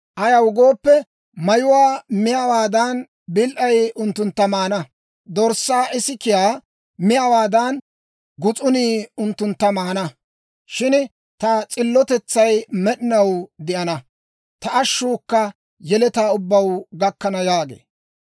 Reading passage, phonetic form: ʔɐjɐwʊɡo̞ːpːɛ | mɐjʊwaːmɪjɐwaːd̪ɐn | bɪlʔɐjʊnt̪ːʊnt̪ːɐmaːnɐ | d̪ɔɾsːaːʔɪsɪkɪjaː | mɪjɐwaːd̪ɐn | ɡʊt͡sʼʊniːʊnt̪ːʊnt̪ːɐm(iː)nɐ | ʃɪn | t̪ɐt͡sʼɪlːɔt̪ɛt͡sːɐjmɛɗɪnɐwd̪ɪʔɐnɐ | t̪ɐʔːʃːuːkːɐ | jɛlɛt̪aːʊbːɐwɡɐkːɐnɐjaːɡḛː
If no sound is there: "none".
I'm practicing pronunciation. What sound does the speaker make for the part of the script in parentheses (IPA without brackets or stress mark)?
aː